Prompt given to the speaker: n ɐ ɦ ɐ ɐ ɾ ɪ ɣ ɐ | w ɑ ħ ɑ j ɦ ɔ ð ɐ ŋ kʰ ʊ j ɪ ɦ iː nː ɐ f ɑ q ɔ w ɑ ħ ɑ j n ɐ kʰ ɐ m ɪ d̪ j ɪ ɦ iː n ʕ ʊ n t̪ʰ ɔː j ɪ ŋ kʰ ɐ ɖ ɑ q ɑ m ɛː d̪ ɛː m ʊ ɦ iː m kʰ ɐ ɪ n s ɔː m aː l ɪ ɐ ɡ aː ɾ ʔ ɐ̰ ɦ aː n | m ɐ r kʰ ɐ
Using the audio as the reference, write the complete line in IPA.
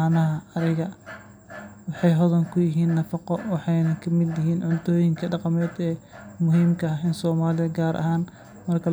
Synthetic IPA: n ɐ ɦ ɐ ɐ ɾ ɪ ɣ ɐ | w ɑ ħ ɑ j ɦ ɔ ð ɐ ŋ kʰ ʊ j ɪ ɦ iː nː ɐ f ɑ q ɔ w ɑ ħ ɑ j n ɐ kʰ ɐ m ɪ d̪ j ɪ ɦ iː n ʕ ʊ n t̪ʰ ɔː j ɪ ŋ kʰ ɐ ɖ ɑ q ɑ m ɛː d̪ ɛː m ʊ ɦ iː m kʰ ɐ ɪ n s ɔː m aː l ɪ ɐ ɡ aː ɾ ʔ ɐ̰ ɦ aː n | m ɐ r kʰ ɐ

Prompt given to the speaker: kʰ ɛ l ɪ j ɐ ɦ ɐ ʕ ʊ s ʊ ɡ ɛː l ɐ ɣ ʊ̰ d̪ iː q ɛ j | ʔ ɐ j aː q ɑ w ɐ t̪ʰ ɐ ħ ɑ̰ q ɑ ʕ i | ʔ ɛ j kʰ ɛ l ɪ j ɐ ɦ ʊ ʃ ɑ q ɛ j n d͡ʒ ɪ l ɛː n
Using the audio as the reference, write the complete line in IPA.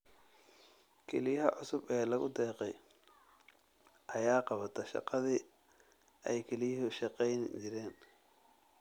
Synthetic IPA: kʰ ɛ l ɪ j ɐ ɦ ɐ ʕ ʊ s ʊ b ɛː l ɐ ɣ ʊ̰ d̪ ɛː q ɛ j | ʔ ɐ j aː q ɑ β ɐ t̪ʰ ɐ ʃ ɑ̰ q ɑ ð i | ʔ ɛ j kʰ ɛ l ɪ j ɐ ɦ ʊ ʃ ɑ q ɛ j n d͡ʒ ɪ ɾ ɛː n

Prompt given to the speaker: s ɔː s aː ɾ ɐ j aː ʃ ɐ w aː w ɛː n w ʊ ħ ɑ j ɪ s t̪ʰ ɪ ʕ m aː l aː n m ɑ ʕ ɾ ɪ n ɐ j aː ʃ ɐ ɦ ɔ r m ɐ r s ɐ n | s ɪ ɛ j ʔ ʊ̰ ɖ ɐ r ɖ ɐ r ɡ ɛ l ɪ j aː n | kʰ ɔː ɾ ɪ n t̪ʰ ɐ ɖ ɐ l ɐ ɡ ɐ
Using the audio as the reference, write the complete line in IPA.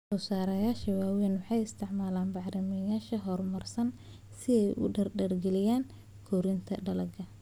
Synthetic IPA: s ɔː s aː ɾ ɐ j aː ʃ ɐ w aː w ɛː n w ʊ ħ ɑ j ɪ s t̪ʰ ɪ ʕ m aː l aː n b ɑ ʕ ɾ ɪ m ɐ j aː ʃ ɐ ɦ ɔ r m ɐ r s ɐ n | s ɪ ɛ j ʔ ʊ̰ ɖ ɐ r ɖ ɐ r ɡ ɛ l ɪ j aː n | kʰ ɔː ɾ ɪ n t̪ʰ ɐ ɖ ɐ l ɐ ɡ ɐ

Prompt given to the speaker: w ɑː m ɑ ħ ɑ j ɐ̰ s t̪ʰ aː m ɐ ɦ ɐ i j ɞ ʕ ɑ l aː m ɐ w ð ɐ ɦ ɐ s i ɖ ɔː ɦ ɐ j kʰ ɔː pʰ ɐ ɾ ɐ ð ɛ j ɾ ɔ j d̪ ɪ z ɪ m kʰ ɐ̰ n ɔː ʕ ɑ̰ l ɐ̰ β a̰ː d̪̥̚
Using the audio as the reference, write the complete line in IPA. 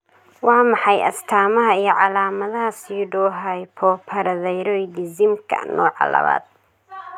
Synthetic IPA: w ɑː m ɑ ħ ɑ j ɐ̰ s t̪ʰ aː m ɐ ɦ ɐ i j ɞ ʕ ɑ l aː m ɐ ð ɐ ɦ ɐ s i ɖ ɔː ɦ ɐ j pʰ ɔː pʰ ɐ ɾ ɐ ð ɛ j ɾ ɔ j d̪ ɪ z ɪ m kʰ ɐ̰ n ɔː ʕ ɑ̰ l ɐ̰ β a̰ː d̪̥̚

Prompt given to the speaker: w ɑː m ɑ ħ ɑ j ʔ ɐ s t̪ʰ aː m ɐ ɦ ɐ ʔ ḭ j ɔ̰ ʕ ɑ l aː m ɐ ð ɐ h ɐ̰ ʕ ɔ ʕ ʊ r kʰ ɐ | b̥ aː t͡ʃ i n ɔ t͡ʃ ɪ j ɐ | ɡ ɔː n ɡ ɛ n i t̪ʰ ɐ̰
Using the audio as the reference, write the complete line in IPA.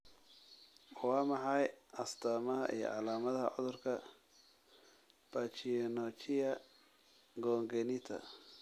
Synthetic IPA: w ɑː m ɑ ħ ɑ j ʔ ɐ s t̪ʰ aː m ɐ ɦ ɐ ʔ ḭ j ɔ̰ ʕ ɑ l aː m ɐ ð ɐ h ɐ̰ ʕ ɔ ð ʊ r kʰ ɐ | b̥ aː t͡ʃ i n ɔ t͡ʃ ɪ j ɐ | ɡ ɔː ŋ ɡ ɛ n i t̪ʰ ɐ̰

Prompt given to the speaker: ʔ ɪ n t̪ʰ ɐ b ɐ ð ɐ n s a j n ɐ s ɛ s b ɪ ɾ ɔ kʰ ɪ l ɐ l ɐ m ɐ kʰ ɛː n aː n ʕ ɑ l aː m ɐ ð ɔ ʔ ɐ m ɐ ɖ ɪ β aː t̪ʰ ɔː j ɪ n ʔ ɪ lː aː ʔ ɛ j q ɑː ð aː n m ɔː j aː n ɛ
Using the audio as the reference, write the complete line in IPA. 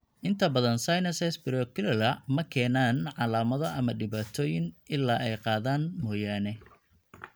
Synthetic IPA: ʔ ɪ n t̪ʰ ɐ b ɐ ð ɐ n s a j n ɐ s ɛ s b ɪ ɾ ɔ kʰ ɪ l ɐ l ɐ m ɐ kʰ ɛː n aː n ʕ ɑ l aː m ɐ ð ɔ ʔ ɐ m ɐ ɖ ɪ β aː t̪ʰ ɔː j ɪ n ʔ ɪ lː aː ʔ ɛ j q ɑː ð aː n m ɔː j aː n ɛ

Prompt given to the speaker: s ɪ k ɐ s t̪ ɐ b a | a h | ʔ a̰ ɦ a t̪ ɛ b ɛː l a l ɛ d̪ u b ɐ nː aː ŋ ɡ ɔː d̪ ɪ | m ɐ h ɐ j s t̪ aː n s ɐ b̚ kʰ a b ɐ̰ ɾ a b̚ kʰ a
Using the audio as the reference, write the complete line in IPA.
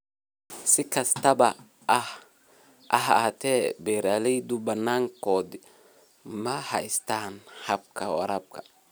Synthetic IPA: s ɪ k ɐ s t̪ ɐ b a | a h | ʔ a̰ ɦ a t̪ ɛ b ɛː ɾ a l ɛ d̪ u b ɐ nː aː ŋ k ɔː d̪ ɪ | m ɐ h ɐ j s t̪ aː n h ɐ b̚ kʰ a w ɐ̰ ɾ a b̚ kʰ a

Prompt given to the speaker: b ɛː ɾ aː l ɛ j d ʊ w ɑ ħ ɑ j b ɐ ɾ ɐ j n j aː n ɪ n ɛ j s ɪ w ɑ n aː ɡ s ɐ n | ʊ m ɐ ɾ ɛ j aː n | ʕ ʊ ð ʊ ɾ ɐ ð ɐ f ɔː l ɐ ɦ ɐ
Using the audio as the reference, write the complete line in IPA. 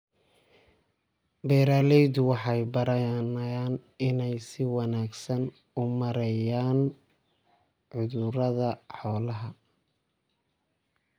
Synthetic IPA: b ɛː ɾ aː l ɛ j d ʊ w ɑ ħ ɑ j b ɐ ɾ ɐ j n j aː n ɪ n ɛ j s ɪ w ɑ n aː ɡ s ɐ n | ʊ m ɐ ɾ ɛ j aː n | ʕ ʊ ð ʊ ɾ ɐ ð ɐ ħ ɔː l ɐ ɦ ɐ

